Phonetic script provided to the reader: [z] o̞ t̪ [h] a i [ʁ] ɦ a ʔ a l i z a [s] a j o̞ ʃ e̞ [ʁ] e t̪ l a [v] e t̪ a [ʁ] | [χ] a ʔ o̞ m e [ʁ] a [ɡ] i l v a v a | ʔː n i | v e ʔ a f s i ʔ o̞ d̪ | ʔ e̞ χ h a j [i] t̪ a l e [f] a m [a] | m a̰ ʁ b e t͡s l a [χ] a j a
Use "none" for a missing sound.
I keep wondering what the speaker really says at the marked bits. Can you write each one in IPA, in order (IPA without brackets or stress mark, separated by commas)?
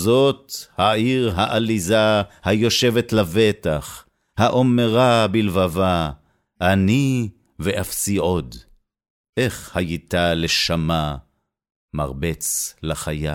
z, h, ʁ, h, v, v, χ, h, ʁ, b, i, ʃ, a, χ